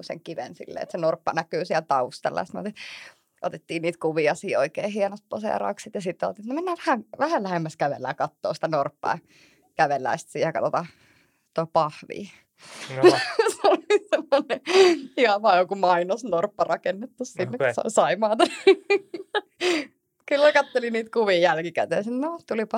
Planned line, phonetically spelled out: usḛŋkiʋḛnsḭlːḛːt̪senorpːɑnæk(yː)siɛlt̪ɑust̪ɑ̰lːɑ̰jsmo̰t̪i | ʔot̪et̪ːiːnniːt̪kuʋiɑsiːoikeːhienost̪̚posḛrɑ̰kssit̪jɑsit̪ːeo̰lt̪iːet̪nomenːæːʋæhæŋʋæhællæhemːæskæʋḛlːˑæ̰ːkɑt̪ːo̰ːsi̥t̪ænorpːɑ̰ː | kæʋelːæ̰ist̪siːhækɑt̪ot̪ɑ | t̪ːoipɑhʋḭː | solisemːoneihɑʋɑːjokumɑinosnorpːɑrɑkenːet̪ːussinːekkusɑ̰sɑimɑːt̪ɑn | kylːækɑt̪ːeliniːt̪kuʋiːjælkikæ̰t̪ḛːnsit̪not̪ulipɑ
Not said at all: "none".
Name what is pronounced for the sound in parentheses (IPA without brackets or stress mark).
yː